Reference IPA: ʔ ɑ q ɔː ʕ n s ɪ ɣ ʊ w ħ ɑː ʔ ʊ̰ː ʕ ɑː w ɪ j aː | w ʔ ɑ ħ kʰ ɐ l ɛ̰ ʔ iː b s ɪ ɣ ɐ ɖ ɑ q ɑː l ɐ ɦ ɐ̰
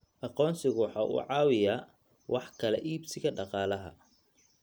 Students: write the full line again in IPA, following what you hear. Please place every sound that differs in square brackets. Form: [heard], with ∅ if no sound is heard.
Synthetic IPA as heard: ʔ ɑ q ɔː [∅] n s ɪ ɣ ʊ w ħ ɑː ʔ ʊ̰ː ʕ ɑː w ɪ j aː | w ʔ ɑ ħ kʰ ɐ l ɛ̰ ʔ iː b s ɪ ɣ ɐ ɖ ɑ q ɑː l ɐ ɦ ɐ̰